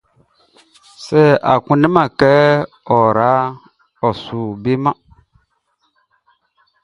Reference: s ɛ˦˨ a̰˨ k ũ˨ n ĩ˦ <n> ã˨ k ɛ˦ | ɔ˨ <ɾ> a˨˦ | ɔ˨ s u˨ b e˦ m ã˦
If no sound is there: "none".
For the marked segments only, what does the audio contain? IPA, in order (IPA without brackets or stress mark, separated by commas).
m, ɾ